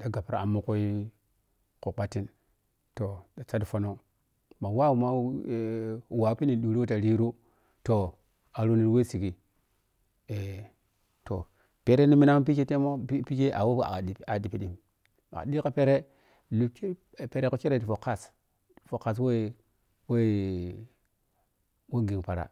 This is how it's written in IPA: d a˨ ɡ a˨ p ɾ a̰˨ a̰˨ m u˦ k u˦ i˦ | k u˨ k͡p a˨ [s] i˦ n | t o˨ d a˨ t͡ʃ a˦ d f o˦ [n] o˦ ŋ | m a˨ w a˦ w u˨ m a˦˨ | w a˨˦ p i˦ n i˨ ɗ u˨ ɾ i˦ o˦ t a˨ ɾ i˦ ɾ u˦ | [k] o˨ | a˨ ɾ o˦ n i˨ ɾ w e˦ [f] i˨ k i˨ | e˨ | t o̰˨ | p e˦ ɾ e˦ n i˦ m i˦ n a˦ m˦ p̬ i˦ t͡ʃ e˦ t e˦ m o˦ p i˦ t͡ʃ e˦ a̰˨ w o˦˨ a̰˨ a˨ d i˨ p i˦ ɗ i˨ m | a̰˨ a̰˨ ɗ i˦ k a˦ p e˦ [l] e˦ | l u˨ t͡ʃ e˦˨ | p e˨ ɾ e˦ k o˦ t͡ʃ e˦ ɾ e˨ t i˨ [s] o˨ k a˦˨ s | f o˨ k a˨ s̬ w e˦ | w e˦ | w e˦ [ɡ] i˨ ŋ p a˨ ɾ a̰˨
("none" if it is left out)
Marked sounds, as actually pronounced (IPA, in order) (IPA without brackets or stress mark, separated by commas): t, n, t, s, ɾ, f, ɡ